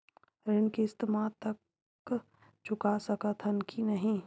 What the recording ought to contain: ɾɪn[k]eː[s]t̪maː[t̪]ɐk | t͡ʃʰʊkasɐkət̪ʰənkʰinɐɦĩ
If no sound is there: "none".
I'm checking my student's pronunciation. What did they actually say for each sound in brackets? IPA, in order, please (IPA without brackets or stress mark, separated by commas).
k, s, t̪